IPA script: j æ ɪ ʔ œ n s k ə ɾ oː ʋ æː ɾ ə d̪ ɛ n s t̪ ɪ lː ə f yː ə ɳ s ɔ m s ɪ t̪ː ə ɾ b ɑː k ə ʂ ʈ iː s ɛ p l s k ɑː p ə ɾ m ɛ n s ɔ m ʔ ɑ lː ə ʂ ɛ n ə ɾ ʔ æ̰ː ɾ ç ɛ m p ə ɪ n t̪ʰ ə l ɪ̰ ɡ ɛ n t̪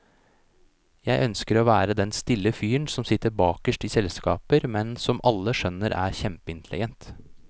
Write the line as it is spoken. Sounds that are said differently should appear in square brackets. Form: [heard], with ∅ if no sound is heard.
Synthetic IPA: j æ ɪ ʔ œ n s k ə ɾ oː ʋ æː ɾ ə d̪ ɛ n s t̪ ɪ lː ə f yː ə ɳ s ɔ m s ɪ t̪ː ə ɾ b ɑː k ə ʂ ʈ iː s ɛ [∅] l s k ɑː p ə ɾ m ɛ n s ɔ m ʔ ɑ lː ə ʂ [œ] n ə ɾ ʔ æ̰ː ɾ ç ɛ m p ə ɪ n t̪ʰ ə l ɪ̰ ɡ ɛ n t̪